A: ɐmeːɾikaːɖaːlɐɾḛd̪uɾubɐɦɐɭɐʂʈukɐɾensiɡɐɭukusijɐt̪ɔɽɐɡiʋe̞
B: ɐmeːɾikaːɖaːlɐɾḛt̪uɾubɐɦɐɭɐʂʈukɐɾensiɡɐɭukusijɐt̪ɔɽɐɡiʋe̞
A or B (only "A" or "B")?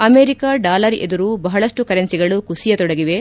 A